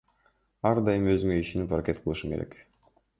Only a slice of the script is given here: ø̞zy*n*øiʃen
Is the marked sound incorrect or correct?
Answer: incorrect